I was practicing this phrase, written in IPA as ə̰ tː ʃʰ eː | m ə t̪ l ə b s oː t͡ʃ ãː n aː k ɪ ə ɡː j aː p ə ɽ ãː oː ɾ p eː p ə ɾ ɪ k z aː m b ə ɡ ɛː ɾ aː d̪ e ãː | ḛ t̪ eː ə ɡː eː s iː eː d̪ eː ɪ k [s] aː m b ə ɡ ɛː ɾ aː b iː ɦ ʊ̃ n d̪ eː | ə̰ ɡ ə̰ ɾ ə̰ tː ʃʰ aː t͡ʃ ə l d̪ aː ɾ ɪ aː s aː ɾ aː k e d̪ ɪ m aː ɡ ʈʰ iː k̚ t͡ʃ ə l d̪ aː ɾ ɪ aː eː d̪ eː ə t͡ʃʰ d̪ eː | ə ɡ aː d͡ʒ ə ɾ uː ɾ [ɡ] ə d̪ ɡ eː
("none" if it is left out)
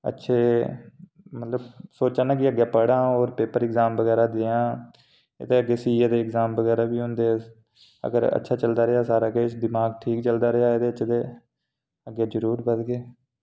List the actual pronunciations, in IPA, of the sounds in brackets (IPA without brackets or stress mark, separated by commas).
z, b